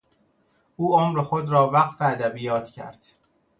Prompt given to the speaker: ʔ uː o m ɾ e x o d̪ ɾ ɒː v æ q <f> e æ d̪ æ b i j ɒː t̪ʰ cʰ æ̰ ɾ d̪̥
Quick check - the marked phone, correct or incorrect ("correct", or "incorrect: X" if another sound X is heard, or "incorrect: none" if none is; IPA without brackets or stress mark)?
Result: correct